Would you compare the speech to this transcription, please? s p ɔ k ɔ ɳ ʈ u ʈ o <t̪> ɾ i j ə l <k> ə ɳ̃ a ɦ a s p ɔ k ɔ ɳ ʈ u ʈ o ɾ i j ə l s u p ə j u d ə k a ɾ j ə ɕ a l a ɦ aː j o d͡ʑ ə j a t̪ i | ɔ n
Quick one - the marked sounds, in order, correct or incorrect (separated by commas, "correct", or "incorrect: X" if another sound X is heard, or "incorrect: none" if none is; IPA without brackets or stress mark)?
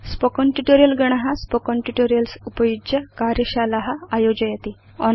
incorrect: none, incorrect: ɡ